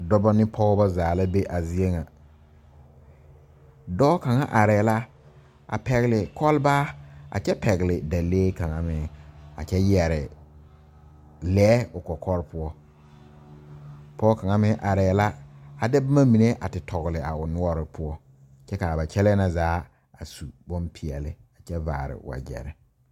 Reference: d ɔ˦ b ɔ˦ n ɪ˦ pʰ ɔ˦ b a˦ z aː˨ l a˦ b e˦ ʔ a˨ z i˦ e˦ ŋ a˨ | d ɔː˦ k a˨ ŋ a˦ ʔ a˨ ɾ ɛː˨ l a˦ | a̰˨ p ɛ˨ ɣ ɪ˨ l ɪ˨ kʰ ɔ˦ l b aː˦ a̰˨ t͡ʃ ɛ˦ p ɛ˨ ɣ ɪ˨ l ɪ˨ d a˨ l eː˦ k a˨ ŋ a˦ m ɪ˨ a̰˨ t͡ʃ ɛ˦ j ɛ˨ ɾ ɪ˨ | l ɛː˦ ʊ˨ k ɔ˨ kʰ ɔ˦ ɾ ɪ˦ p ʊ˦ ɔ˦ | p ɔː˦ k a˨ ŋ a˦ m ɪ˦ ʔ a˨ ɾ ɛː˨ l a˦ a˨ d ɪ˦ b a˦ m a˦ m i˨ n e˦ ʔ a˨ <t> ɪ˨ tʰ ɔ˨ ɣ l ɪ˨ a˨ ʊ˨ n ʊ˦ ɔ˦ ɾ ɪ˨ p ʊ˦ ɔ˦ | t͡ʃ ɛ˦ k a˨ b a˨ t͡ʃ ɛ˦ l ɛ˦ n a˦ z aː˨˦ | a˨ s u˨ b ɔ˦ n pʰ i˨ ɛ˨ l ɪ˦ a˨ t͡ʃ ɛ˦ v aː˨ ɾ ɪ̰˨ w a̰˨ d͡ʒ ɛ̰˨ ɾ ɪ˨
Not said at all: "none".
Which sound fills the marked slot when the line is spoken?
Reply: t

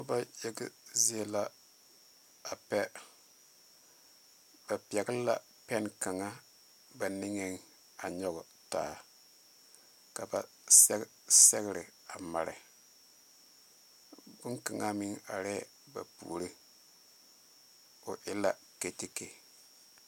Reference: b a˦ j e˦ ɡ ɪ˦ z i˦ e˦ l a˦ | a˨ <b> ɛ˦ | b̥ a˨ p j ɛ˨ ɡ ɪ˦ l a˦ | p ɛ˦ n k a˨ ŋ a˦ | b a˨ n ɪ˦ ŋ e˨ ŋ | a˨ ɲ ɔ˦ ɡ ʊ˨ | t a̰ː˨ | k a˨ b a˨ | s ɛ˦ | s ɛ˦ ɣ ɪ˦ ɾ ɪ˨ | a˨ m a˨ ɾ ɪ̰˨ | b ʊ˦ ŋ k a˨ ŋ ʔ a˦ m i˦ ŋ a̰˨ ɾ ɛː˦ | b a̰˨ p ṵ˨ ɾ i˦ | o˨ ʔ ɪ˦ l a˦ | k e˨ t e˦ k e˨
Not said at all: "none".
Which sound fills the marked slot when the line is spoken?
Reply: p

